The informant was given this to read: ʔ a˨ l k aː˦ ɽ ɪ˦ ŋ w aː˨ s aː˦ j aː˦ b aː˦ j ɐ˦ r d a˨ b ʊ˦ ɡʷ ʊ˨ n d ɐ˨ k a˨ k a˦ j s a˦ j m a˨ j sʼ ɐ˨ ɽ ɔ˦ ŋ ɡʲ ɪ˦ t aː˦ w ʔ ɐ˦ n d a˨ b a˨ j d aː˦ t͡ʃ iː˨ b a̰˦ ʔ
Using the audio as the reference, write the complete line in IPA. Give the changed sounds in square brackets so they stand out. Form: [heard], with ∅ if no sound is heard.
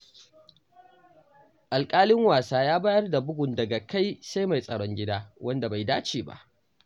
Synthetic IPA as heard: ʔ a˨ l [kʼ] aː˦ [l] ɪ˦ ŋ w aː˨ s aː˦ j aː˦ b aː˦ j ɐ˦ r d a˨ b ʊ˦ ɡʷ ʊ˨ n d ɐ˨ [ɡ] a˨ k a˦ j s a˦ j m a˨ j sʼ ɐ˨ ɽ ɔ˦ ŋ ɡʲ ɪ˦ [d] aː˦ w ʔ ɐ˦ n d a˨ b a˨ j d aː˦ t͡ʃ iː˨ b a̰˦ ʔ